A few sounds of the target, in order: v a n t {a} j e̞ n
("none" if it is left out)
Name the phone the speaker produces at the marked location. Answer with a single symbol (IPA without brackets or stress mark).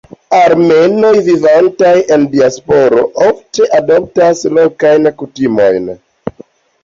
a